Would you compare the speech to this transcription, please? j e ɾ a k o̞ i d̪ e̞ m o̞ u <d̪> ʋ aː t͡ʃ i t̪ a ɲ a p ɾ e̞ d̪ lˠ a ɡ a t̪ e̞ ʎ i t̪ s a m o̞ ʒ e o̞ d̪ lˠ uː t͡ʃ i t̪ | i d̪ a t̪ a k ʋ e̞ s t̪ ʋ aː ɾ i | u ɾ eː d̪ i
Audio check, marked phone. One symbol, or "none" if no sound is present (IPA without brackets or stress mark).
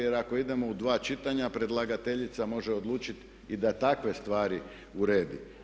d̪